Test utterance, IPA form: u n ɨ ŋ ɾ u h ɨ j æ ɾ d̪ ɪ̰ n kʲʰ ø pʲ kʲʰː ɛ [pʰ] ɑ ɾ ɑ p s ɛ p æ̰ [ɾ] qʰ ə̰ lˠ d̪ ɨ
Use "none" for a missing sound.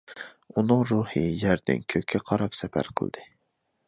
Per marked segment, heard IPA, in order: qʰ, ɾ

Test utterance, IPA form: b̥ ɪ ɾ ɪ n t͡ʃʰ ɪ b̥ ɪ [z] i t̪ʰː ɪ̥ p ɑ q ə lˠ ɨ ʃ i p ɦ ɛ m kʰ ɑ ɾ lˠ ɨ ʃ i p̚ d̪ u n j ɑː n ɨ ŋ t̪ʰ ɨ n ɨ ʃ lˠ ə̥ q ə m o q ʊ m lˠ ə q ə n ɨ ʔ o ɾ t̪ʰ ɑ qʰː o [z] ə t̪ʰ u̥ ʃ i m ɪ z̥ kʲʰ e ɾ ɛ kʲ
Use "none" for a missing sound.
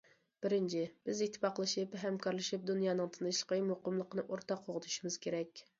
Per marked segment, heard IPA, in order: z, ʁ

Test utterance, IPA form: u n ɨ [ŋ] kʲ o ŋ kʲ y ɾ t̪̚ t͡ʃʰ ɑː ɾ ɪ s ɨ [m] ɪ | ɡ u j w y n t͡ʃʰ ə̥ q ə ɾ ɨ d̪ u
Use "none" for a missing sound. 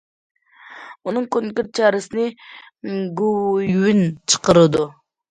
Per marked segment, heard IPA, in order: ŋ, n

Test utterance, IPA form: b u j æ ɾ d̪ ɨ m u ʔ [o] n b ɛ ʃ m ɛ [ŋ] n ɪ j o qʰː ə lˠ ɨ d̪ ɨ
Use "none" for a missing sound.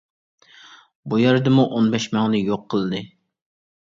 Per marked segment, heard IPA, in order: o, ŋ

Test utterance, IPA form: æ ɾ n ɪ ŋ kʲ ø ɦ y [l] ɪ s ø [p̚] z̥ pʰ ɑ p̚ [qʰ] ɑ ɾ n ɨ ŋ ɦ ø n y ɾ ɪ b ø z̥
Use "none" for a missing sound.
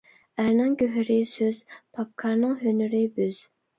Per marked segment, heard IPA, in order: ɾ, none, kʰ

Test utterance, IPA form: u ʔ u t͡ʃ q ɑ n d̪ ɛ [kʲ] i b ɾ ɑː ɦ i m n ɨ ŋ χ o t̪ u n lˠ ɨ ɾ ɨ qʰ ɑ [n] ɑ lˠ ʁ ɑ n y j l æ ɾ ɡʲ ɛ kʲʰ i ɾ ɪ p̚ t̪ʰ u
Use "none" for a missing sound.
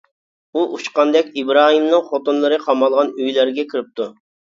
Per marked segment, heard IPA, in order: kʲ, m

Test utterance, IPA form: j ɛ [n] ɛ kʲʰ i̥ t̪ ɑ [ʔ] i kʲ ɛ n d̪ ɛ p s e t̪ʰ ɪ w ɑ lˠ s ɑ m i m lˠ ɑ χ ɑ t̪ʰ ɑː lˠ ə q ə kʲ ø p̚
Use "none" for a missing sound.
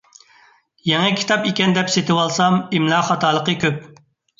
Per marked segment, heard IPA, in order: ŋ, p

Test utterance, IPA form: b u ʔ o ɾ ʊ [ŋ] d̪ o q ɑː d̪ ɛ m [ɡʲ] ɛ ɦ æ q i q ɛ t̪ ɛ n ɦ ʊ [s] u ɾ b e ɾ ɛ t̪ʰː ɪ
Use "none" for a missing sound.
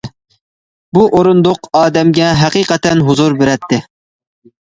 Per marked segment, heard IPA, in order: n, ɡʲ, z

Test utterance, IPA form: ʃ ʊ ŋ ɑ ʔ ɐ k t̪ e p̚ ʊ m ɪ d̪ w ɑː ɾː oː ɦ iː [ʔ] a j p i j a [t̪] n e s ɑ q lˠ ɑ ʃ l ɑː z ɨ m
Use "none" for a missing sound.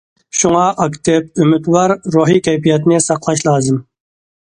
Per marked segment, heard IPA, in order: k, t̪

